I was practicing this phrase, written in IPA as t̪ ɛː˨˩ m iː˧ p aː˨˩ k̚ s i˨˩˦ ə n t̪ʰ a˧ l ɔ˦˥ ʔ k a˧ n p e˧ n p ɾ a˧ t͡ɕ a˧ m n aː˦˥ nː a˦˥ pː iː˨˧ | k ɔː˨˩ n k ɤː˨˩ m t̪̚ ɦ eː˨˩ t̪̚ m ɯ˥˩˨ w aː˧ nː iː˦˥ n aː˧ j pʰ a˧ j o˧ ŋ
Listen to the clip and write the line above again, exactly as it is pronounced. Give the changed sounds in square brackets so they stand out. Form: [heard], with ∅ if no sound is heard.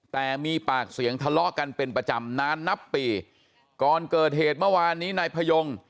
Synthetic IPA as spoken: t̪ ɛː˨˩ m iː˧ p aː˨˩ k̚ s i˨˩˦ ə [ŋ] t̪ʰ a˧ l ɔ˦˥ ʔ k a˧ n p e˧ n p ɾ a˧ t͡ɕ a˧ m n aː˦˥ nː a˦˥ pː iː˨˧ | k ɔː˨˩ n k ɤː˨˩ [∅] t̪̚ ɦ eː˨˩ t̪̚ m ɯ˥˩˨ w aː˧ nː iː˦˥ n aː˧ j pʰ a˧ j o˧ ŋ